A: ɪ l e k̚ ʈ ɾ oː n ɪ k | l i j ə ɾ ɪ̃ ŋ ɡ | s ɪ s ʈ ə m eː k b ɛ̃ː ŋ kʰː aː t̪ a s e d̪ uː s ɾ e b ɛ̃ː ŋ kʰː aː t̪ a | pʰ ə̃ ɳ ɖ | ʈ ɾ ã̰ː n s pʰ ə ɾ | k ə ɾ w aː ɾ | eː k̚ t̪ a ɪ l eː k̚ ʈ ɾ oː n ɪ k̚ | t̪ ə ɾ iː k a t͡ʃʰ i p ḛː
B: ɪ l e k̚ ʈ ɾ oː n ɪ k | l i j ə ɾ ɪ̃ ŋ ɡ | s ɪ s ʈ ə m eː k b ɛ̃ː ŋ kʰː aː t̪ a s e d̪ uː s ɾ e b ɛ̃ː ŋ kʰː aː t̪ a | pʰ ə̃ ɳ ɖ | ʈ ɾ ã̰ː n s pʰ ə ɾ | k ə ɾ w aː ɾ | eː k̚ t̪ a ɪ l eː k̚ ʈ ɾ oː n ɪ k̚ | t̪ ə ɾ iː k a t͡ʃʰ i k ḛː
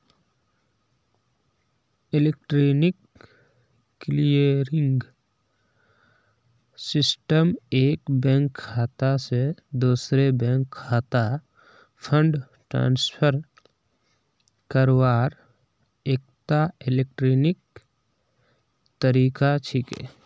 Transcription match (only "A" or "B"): B